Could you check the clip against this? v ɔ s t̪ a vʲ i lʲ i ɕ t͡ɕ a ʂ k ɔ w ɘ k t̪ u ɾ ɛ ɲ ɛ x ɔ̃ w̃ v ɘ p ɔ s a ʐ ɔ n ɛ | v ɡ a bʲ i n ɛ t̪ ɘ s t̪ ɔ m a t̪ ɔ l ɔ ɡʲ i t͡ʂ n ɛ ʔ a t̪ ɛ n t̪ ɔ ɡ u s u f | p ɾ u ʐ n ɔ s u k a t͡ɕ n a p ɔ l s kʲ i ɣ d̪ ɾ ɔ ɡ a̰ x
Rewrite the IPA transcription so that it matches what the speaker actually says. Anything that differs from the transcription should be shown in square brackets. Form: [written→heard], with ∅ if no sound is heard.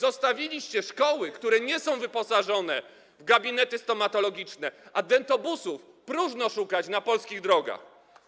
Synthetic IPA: [v→z] ɔ s t̪ a vʲ i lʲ i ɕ t͡ɕ [a→ɛ] ʂ k ɔ w ɘ k t̪ u ɾ ɛ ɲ ɛ [x→s] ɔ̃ w̃ v ɘ p ɔ s a ʐ ɔ n ɛ | v ɡ a bʲ i n ɛ t̪ ɘ s t̪ ɔ m a t̪ ɔ l ɔ ɡʲ i t͡ʂ n ɛ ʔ a [t̪→d̪] ɛ n t̪ ɔ [ɡ→b] u s u f | p ɾ u ʐ n ɔ [s→ʂ] u k a t͡ɕ n a p ɔ l s kʲ i ɣ d̪ ɾ ɔ ɡ a̰ x